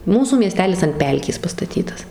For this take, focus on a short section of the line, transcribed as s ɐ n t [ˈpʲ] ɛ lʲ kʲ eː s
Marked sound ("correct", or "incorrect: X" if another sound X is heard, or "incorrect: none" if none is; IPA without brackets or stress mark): correct